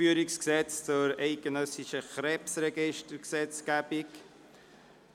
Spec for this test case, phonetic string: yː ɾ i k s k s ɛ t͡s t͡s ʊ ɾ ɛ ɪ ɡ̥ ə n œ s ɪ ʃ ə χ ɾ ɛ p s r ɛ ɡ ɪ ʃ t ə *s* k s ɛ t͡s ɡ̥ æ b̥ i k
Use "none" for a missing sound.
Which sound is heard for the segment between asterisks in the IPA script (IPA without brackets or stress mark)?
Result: none